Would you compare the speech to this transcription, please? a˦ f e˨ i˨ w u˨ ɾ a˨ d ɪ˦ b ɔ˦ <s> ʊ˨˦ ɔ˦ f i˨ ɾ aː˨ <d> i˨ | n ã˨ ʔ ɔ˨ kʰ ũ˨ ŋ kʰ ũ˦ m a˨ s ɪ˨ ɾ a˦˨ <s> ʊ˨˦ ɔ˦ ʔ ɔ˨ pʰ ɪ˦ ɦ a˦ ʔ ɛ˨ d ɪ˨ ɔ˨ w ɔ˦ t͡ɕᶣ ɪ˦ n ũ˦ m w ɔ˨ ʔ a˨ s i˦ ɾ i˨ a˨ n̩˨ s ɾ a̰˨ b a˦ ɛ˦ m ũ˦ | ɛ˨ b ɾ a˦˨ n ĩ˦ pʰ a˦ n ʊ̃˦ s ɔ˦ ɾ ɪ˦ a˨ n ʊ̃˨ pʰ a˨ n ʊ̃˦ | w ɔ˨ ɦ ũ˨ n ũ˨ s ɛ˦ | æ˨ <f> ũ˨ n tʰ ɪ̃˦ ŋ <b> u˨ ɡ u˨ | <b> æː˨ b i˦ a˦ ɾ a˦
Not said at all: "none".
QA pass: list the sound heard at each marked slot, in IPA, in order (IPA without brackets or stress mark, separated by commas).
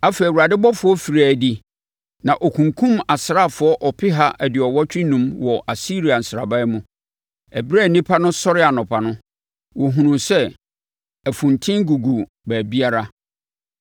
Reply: f, d, f, f, ɡ, b